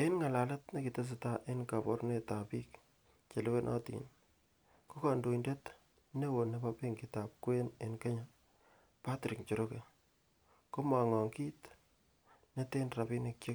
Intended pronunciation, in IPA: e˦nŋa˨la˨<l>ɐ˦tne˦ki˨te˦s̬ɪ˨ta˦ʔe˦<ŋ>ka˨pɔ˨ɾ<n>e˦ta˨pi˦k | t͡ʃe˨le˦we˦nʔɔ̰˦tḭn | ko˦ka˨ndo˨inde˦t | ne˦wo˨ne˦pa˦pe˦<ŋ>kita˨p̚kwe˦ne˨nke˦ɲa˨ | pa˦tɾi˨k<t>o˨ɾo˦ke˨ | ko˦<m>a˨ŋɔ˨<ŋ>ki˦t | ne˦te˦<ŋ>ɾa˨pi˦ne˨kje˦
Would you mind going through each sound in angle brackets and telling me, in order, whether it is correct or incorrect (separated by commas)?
correct, incorrect, correct, correct, incorrect, correct, correct, incorrect